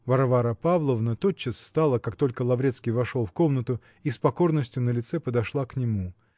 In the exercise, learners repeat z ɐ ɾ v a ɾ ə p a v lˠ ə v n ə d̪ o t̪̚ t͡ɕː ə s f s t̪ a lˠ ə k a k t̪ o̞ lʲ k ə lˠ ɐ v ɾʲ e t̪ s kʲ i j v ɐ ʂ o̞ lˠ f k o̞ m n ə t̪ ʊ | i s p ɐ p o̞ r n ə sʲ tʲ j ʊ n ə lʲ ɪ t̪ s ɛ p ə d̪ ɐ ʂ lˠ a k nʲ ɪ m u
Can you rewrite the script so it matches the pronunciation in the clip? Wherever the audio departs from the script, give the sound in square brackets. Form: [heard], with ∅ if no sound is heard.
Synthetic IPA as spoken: [v] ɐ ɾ v a ɾ ə p a v lˠ ə v n ə [t̪] o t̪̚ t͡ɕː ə s f s t̪ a lˠ ə k a k t̪ o̞ lʲ k ə lˠ ɐ v ɾʲ e t̪ s kʲ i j v ɐ ʂ o̞ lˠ f k o̞ m n ə t̪ ʊ | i s p ɐ [k] o̞ r n ə sʲ tʲ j ʊ n ə lʲ ɪ t̪ s ɛ p ə d̪ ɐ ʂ lˠ a k nʲ ɪ m u